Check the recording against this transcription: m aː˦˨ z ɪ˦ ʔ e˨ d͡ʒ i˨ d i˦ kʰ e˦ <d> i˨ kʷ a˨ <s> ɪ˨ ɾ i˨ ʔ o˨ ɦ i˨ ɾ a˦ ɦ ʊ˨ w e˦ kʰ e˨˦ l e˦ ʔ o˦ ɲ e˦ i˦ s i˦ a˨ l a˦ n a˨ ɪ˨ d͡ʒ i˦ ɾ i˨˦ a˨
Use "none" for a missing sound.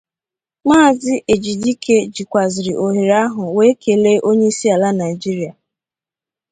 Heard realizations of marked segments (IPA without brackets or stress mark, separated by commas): d͡ʒ, z